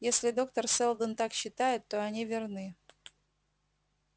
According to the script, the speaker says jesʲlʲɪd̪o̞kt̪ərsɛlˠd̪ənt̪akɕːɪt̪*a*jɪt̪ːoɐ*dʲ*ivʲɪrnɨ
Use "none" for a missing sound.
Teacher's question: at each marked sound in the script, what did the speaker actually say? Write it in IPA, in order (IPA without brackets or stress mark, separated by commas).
a, nʲ